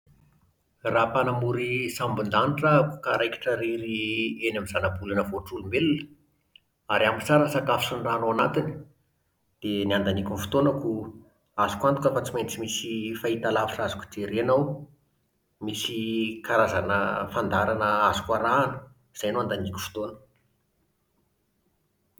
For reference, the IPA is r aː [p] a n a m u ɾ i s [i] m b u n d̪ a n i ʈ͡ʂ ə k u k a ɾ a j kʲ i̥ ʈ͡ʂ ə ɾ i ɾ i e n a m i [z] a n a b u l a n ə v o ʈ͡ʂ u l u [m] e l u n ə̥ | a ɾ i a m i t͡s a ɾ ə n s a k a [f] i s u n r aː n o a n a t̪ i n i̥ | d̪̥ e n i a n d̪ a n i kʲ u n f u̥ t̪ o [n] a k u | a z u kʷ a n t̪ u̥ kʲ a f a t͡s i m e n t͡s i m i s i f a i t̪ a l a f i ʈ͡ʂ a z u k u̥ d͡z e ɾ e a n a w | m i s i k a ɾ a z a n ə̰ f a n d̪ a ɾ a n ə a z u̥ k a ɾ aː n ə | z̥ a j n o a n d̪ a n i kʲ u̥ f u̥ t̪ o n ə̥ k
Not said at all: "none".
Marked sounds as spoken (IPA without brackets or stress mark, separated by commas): p, a, z, m, f, n